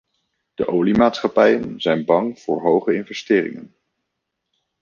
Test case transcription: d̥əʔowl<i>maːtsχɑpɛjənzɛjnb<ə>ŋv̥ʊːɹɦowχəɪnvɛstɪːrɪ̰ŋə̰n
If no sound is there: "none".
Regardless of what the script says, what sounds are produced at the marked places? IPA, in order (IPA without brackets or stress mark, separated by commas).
i, ɑ